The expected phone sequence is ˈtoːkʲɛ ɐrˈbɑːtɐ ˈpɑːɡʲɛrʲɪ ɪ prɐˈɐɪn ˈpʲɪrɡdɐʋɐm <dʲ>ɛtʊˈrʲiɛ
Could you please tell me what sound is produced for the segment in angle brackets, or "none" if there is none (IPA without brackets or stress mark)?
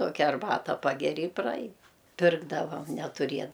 nʲ